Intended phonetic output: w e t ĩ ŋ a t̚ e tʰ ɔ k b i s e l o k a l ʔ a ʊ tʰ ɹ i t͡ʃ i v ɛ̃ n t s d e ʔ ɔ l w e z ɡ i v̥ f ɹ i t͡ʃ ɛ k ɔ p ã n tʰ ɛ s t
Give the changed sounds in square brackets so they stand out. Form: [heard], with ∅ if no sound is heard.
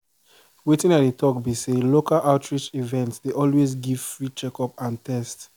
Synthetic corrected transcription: w e t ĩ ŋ a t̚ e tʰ ɔ k b i s e l o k a l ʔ a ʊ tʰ ɹ i t͡ʃ i v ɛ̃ n t s d e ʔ ɔ l w e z ɡ i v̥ f ɹ i t͡ʃ ɛ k ɔ p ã n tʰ ɛ s t